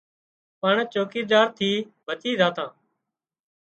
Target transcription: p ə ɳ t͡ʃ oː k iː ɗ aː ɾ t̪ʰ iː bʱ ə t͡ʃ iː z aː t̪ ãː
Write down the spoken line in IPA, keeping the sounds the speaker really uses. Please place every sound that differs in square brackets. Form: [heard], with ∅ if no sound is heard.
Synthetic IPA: p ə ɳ t͡ʃ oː k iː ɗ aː ɾ t̪ʰ iː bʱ ə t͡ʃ iː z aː t̪ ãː